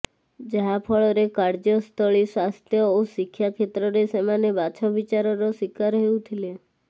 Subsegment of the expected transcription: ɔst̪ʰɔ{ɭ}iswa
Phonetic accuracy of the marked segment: correct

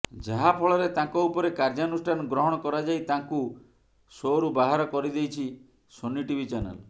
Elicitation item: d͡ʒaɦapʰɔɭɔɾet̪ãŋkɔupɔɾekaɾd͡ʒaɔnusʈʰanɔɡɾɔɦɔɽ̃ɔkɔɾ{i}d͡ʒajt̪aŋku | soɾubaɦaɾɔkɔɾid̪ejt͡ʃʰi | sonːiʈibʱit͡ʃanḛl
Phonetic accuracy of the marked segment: incorrect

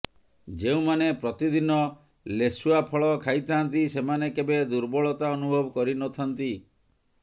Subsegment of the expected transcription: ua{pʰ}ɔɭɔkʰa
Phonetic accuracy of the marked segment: correct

